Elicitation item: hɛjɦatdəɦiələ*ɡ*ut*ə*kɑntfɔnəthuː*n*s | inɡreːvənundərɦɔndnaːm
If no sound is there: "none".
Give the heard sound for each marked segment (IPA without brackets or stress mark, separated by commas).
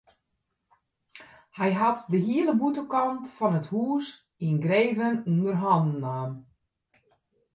b, ə, none